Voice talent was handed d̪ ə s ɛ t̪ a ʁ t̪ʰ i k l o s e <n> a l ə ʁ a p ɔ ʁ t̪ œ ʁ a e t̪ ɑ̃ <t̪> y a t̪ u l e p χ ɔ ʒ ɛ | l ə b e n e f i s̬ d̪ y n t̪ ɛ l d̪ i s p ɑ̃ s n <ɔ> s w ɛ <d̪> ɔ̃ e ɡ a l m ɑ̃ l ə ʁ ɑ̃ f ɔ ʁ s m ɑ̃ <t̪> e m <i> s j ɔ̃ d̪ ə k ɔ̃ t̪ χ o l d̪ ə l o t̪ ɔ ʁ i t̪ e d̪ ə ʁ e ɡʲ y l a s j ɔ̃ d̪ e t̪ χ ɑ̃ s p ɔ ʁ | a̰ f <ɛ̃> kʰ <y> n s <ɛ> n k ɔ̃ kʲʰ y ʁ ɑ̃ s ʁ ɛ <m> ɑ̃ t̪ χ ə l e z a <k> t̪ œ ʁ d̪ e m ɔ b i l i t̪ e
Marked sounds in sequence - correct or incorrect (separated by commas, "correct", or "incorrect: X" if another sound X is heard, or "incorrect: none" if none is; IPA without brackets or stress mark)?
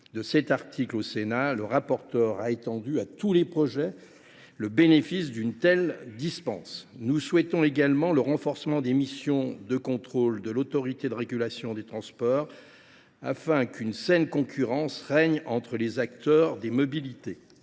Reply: correct, incorrect: d̪, incorrect: u, incorrect: t̪, incorrect: d̪, correct, correct, correct, correct, incorrect: ɲ, correct